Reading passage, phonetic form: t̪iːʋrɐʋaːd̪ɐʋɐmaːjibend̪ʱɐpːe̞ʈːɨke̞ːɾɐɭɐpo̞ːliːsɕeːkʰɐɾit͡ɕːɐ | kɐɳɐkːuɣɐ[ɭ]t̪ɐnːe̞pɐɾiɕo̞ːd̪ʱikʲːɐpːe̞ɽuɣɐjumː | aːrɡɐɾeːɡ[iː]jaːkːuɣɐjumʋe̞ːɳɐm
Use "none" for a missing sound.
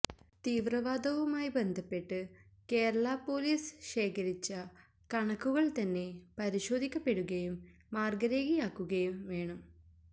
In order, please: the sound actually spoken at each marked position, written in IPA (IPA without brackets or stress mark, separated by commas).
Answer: ɭ, i